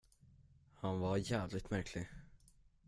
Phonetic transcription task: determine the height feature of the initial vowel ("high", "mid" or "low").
low